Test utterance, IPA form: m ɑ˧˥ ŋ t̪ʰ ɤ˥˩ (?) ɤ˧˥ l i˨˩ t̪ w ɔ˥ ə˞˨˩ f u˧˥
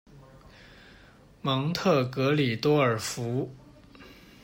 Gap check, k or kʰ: k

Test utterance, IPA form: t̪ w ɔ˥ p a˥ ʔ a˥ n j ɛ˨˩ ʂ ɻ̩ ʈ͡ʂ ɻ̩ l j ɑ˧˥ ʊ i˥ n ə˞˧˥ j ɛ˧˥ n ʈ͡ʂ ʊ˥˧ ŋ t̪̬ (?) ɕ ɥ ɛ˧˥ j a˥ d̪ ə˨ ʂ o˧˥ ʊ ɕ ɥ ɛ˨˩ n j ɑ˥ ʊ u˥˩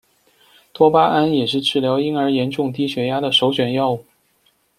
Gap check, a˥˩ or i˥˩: i˥˩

